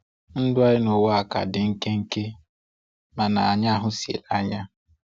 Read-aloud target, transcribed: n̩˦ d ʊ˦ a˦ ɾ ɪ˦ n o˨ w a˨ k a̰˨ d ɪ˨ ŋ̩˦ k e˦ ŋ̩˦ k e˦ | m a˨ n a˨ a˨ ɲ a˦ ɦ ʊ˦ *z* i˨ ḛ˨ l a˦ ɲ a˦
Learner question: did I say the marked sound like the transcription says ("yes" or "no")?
no